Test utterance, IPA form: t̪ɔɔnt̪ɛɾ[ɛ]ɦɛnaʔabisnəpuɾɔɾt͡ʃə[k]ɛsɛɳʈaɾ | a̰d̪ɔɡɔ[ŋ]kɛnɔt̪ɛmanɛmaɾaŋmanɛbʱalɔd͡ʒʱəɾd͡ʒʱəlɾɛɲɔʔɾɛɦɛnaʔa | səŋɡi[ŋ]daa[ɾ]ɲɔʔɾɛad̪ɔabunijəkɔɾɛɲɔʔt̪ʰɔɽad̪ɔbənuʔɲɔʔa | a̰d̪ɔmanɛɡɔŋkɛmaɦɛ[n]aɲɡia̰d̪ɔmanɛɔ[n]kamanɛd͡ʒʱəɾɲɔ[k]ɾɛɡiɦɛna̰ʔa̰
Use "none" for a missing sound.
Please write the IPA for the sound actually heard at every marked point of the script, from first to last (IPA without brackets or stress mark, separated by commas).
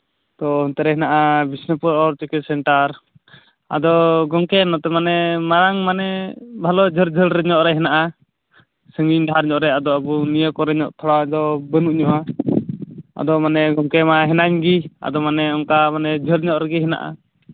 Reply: ɛ, k, ŋ, ɲ, ɾ, n, ŋ, ʔ